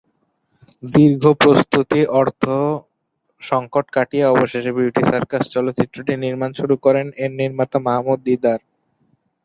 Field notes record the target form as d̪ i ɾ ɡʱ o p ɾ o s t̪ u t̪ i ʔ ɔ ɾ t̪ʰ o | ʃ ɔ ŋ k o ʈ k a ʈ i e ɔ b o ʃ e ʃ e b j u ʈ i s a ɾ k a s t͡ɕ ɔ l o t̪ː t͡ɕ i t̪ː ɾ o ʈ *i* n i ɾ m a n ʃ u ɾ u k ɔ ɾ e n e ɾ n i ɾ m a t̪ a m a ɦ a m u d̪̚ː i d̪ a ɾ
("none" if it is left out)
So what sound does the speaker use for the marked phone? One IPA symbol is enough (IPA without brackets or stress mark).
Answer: i